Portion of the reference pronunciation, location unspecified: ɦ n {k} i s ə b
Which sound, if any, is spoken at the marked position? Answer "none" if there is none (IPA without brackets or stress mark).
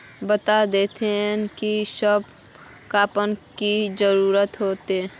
k